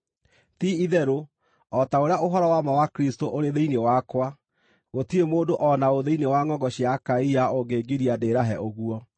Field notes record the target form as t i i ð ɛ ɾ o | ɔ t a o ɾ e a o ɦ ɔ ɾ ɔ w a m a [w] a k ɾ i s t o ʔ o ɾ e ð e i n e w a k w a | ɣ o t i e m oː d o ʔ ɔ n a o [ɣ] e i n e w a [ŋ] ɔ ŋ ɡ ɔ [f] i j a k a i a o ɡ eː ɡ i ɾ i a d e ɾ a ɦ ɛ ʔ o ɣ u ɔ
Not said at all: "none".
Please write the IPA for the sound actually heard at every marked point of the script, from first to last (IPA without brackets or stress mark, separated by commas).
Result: w, ð, ŋ, ɕ